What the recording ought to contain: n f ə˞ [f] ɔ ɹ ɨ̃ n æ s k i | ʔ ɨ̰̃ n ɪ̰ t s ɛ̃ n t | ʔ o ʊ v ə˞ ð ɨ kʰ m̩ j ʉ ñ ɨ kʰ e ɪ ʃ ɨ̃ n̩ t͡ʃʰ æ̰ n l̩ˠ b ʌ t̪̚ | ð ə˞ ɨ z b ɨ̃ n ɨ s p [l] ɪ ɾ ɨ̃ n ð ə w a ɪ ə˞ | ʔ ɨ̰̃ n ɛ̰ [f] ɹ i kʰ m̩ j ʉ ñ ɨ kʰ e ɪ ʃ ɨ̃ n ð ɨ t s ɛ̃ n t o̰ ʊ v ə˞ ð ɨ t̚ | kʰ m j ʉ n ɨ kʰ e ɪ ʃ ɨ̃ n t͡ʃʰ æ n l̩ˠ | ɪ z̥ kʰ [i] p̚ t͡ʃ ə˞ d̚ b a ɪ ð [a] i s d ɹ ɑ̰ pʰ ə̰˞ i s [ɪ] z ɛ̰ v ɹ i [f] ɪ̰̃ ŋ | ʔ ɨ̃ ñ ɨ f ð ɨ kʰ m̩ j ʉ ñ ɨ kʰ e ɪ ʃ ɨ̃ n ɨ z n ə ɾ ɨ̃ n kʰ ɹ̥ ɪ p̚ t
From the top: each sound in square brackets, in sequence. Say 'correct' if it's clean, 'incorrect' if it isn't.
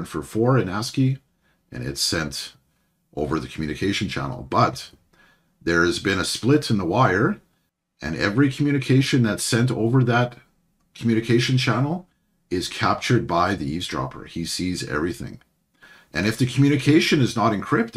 correct, correct, incorrect: v, incorrect: æ, incorrect: i, incorrect: i, incorrect: θ

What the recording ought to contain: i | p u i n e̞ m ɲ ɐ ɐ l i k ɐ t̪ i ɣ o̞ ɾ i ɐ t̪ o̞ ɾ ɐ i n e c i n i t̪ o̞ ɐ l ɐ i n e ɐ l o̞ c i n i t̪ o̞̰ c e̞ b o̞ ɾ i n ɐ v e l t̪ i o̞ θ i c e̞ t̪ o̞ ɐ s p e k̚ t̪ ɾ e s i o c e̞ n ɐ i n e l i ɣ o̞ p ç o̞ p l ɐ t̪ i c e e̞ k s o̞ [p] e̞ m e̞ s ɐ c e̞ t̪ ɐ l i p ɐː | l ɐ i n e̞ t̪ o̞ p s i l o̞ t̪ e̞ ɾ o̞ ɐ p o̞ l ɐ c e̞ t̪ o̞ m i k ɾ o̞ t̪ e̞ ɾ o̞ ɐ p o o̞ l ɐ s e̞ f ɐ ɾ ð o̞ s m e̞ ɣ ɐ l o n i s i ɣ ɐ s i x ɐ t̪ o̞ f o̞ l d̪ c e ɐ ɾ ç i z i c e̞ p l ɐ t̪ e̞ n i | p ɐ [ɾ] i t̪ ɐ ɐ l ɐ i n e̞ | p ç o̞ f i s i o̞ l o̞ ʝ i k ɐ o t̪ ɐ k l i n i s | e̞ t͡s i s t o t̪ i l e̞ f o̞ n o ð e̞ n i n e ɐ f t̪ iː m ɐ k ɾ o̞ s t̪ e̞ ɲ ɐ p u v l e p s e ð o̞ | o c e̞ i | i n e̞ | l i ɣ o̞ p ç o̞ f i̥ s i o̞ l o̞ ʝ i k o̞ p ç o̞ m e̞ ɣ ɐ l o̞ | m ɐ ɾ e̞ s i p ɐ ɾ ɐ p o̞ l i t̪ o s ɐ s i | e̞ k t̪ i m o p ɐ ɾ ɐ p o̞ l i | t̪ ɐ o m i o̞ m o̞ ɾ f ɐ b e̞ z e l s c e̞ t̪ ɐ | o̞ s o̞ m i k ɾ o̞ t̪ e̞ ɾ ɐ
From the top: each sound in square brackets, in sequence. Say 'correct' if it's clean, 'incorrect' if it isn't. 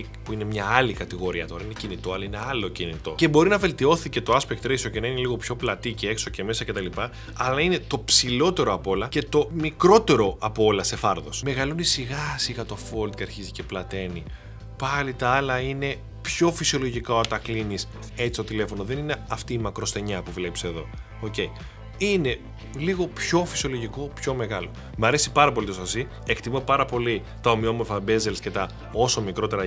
incorrect: c, incorrect: l

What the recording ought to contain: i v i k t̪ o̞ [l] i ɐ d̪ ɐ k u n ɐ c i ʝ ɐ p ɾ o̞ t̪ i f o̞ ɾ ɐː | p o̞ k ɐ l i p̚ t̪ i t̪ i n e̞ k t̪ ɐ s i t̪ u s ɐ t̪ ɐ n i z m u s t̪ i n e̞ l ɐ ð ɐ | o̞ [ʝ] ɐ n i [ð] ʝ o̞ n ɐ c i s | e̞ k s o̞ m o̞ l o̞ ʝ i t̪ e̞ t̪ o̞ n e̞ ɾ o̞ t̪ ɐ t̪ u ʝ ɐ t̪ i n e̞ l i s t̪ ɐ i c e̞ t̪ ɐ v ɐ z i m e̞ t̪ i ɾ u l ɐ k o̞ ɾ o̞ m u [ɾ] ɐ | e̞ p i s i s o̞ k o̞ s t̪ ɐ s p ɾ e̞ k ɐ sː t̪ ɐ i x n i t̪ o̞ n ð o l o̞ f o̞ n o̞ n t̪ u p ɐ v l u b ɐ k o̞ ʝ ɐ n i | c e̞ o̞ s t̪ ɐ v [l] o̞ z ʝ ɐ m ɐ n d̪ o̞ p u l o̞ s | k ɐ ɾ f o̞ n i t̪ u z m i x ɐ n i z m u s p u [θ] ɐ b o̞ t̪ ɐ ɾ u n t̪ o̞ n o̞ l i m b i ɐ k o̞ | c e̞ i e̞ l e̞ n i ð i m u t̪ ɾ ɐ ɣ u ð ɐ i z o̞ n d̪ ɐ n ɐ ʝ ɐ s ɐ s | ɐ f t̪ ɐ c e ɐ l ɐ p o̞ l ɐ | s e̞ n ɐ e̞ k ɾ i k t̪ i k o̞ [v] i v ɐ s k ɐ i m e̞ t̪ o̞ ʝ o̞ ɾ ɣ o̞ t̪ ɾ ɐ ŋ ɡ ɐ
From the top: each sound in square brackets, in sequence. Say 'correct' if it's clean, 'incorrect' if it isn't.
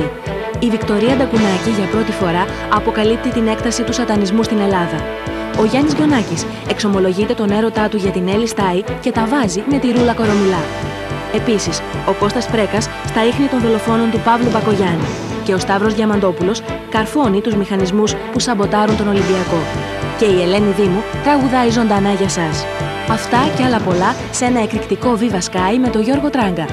incorrect: ɾ, correct, incorrect: z, incorrect: l, incorrect: ɾ, incorrect: s, correct

